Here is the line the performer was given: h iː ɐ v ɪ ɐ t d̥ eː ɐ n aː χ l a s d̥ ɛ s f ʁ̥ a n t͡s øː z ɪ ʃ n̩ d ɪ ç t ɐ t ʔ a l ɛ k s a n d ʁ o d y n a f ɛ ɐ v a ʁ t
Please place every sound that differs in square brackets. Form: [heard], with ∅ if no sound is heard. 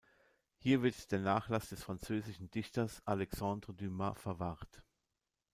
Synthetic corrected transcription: h iː ɐ v ɪ ɐ t d̥ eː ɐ n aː χ l a s d̥ ɛ s f ʁ̥ a n t͡s øː z ɪ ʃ n̩ d ɪ ç t ɐ [s] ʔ a l ɛ k s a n d ʁ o d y [m] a f ɛ ɐ v a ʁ t